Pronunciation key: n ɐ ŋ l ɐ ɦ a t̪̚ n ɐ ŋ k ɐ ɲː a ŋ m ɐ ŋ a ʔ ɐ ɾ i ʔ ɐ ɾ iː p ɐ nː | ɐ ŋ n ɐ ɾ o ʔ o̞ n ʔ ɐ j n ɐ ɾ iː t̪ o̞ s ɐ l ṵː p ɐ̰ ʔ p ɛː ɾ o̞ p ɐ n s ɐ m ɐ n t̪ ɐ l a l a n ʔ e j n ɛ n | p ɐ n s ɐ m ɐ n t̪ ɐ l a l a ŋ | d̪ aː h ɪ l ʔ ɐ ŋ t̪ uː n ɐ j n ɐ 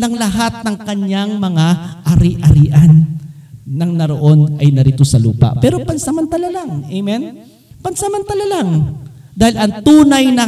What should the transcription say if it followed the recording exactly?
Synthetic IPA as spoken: n ɐ ŋ l ɐ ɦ a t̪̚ n ɐ ŋ k ɐ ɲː a ŋ m ɐ ŋ a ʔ ɐ ɾ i ʔ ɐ ɾ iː ʔ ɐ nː | ɐ ŋ n ɐ ɾ o ʔ o̞ n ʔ ɐ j n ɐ ɾ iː t̪ o̞ s ɐ l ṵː p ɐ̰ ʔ p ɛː ɾ o̞ p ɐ n s ɐ m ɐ n t̪ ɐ l a l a ŋ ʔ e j m ɛ n | p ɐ n s ɐ m ɐ n t̪ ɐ l a l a ŋ | d̪ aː h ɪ l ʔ ɐ ŋ t̪ uː n ɐ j n ɐ